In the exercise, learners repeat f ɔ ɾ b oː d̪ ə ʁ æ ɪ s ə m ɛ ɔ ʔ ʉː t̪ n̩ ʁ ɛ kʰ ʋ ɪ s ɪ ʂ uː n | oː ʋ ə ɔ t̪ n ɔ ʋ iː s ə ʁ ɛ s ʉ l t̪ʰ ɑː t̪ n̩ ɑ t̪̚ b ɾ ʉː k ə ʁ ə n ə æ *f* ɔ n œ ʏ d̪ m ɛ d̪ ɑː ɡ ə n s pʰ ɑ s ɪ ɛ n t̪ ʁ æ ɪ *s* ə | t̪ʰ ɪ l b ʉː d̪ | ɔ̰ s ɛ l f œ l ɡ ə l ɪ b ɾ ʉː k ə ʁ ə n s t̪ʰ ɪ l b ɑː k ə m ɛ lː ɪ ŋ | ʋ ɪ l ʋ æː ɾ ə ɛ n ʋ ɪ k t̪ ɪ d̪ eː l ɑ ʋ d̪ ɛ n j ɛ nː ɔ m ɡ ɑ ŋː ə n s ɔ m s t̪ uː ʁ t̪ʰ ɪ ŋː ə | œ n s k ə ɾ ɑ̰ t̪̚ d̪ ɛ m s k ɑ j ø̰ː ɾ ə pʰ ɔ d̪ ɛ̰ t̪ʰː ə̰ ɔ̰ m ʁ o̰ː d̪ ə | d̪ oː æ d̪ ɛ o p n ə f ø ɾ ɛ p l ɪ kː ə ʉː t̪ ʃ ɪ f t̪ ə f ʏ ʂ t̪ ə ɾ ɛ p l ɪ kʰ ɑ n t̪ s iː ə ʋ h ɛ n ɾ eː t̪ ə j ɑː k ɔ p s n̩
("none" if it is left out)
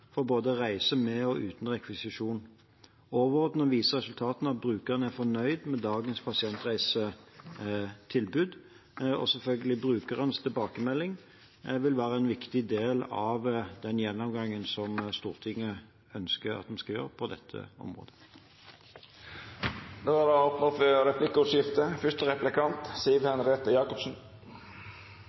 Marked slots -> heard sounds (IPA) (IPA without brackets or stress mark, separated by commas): f, s